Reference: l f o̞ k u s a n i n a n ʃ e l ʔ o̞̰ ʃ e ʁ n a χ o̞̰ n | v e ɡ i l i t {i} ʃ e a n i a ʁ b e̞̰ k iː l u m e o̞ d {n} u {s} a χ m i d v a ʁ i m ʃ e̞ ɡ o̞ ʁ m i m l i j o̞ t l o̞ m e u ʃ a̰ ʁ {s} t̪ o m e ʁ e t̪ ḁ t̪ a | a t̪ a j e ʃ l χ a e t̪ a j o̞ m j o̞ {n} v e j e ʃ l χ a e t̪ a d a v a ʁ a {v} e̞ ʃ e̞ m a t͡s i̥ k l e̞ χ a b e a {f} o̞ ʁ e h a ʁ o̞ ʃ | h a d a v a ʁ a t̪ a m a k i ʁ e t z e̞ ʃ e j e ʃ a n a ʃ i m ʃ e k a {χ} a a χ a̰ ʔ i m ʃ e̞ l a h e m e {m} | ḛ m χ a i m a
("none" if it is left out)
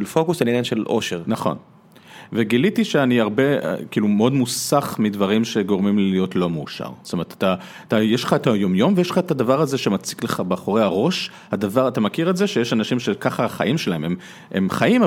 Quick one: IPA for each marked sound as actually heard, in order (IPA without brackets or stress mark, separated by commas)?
i, m, s, s, m, z, χ, χ, m